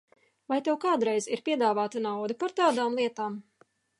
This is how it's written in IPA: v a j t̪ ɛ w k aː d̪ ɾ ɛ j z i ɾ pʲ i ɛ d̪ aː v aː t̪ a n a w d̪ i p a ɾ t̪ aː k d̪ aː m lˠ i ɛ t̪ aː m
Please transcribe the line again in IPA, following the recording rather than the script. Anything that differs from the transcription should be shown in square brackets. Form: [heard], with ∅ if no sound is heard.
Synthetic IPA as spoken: v a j t̪ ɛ w k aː d̪ ɾ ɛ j z i ɾ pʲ i ɛ d̪ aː v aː t̪ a n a w d̪ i p a ɾ t̪ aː [∅] d̪ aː m lˠ i ɛ t̪ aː m